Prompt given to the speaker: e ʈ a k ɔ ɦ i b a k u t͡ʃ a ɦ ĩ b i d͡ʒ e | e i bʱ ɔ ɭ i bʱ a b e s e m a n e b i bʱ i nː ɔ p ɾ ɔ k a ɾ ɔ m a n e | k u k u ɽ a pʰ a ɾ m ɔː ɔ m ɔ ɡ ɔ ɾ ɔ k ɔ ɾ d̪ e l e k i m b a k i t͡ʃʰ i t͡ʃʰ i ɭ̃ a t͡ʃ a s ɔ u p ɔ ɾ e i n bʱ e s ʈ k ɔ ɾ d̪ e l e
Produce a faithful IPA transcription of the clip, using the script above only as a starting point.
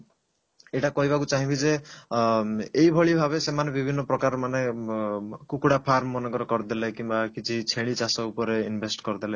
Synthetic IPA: e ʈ a k ɔ ɦ i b a k u t͡ʃ a ɦ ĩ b i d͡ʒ e | e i bʱ ɔ ɭ i bʱ a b e s e m a n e b i bʱ i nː ɔ p ɾ ɔ k a ɾ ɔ m a n e | k u k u ɽ a pʰ a ɾ m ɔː ɔ n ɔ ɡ ɔ ɾ ɔ k ɔ ɾ d̪ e l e k i m b a k i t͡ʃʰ i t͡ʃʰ e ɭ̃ i t͡ʃ a s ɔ u p ɔ ɾ e i n bʱ e s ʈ k ɔ ɾ d̪ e l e